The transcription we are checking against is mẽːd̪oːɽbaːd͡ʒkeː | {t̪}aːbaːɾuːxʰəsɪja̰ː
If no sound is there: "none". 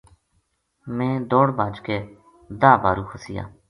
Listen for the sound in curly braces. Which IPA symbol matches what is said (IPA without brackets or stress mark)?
d̪